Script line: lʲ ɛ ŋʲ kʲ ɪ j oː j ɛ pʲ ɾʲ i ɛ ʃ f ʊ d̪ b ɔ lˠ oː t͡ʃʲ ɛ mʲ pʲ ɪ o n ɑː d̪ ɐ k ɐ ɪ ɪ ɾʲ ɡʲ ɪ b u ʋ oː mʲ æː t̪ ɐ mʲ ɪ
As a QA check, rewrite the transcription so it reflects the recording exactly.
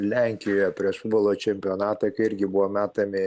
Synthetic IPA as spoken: lʲ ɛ ŋʲ kʲ ɪ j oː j ɛ pʲ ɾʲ i ɛ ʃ f ʊ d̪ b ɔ lˠ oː t͡ʃʲ ɛ mʲ pʲ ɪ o n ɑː t̪ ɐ k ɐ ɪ ɪ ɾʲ ɡʲ ɪ b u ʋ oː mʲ æː t̪ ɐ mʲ ɪ